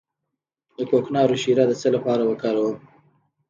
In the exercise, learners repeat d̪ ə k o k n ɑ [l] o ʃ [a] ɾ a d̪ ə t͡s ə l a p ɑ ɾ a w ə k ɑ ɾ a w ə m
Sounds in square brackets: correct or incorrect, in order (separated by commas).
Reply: incorrect, incorrect